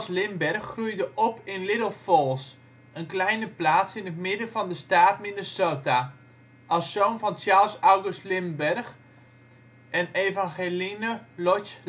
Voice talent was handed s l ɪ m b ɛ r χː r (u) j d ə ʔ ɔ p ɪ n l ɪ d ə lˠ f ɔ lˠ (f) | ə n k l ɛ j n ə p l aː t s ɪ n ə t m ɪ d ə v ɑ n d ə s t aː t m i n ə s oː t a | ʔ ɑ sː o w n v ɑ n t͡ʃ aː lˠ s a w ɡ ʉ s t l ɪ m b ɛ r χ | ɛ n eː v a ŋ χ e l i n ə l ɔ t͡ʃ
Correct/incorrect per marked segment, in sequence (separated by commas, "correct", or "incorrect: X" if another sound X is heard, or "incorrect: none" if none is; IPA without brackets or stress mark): correct, incorrect: s